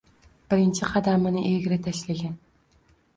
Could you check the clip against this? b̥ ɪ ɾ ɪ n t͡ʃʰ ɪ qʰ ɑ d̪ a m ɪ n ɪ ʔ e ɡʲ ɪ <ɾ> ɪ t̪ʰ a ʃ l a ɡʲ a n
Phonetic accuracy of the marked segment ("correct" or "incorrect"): correct